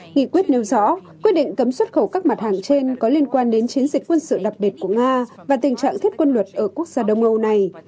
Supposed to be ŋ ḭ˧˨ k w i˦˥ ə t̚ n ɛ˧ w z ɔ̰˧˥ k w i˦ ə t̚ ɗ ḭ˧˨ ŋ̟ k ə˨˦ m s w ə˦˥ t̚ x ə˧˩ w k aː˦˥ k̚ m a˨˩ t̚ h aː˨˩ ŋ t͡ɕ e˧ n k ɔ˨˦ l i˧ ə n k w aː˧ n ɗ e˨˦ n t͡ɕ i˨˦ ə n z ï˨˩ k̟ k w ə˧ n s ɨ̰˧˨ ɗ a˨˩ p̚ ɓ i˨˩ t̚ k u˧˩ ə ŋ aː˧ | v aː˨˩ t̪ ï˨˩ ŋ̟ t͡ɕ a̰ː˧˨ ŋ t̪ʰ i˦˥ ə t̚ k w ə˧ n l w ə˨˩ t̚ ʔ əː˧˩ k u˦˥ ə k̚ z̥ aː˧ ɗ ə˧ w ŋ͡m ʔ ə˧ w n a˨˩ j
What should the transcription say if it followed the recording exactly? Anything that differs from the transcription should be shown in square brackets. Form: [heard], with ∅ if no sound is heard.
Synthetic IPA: ŋ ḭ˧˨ k w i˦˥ ə t̚ n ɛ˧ w z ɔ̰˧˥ k w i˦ ə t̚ ɗ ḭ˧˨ ŋ̟ k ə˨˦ m s w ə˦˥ t̚ x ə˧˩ w k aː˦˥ k̚ m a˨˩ t̚ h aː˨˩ ŋ t͡ɕ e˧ n k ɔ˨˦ l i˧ ə n k w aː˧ n ɗ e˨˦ n t͡ɕ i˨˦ ə n z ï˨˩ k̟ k w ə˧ n s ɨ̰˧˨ ɗ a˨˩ p̚ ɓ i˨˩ t̚ k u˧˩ ə ŋ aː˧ | v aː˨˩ t̪ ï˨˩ ŋ̟ t͡ɕ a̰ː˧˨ ŋ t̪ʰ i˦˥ ə t̚ k w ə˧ n l w ə˨˩ t̚ ʔ əː˧˩ k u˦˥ ə k̚ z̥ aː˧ ɗ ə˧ w ŋ͡m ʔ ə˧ w n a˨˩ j

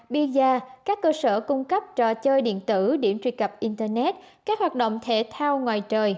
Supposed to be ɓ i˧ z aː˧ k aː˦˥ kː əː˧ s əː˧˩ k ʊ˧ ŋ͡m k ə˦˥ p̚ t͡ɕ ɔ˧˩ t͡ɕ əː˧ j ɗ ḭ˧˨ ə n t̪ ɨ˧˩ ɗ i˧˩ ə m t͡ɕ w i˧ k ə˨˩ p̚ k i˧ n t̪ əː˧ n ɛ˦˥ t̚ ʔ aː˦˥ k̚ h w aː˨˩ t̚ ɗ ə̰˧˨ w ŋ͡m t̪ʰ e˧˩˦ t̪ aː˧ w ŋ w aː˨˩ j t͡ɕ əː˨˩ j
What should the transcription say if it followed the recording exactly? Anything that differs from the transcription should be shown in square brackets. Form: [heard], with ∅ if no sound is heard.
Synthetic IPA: ɓ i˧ z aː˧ k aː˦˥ kː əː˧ s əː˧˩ k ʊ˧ ŋ͡m k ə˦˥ p̚ t͡ɕ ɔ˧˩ t͡ɕ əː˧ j ɗ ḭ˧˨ ə n t̪ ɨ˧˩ ɗ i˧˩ ə m t͡ɕ w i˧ k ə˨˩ p̚ [ʔ] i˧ n t̪ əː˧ n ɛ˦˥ t̚ [k] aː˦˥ k̚ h w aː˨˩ t̚ ɗ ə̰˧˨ w ŋ͡m t̪ʰ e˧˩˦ [t̪ʰ] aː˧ w ŋ w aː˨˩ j t͡ɕ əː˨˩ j

